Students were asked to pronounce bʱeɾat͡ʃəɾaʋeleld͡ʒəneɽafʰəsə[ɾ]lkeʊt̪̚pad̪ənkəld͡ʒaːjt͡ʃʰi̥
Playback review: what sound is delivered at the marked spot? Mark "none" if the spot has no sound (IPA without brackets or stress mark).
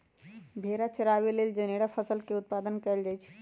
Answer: none